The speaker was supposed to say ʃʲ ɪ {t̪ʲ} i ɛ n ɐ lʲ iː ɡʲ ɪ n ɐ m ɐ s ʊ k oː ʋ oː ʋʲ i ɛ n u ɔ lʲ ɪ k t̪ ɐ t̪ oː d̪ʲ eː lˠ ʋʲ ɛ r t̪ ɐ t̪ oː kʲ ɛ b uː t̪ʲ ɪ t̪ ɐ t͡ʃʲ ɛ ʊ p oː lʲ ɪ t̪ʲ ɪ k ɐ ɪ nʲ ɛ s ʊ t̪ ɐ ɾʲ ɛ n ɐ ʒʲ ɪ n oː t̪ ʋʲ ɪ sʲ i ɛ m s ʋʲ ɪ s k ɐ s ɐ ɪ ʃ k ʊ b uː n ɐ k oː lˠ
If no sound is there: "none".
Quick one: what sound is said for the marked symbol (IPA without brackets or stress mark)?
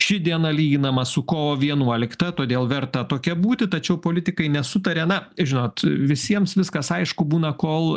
d̪ʲ